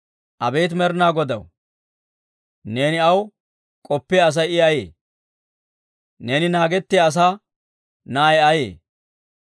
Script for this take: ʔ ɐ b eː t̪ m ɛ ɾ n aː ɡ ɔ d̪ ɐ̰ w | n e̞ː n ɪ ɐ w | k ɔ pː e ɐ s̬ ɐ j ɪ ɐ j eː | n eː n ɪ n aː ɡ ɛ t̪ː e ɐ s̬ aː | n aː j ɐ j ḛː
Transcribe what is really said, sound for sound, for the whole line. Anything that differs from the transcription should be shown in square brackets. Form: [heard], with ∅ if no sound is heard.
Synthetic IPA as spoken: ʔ ɐ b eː t̪ m ɛ ɾ n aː ɡ ɔ d̪ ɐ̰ w | n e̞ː n ɪ ɐ w | [kʼ] ɔ pː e ɐ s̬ ɐ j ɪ ɐ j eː | n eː n ɪ n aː ɡ ɛ t̪ː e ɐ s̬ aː | n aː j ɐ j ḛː